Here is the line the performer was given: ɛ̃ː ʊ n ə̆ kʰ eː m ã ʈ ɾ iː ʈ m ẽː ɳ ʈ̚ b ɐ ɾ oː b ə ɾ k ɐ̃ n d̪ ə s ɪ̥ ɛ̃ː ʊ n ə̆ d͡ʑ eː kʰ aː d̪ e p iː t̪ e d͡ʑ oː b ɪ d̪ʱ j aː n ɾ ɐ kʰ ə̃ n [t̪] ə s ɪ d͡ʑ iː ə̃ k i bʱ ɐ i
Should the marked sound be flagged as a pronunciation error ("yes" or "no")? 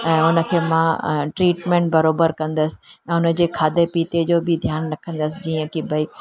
yes